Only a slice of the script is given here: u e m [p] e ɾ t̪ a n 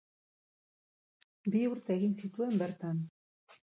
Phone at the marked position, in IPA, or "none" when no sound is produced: b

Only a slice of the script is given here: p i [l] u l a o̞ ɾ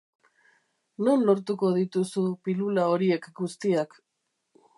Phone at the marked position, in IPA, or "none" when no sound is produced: l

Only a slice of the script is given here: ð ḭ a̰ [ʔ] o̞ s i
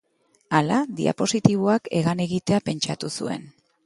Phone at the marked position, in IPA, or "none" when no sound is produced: p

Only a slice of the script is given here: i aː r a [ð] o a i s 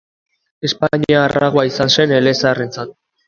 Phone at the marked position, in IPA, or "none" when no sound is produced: ɣ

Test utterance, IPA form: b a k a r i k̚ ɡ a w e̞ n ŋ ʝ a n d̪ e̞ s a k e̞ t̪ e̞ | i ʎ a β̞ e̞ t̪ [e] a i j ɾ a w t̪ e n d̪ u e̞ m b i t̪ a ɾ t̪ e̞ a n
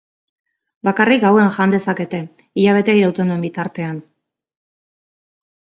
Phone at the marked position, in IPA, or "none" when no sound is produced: e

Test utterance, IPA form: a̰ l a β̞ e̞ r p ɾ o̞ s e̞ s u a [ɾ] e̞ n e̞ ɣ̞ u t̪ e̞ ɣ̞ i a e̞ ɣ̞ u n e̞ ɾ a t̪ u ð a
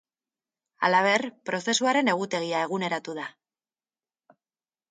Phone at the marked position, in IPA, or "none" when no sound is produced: ɾ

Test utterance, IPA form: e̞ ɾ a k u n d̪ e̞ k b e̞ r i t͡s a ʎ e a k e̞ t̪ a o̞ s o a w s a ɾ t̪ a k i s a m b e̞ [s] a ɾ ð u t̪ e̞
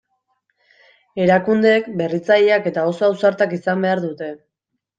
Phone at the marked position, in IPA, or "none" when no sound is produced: none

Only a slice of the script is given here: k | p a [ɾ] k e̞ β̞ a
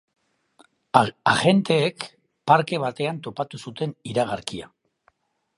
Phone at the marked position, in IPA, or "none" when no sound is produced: ɾ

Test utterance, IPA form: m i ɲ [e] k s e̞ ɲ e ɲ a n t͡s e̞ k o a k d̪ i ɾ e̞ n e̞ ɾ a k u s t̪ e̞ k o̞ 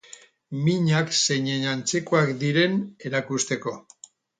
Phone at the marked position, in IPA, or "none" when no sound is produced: a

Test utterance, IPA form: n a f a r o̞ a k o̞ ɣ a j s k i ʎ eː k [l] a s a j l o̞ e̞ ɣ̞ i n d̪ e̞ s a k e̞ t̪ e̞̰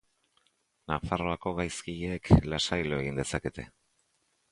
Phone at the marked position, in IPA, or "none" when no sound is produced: l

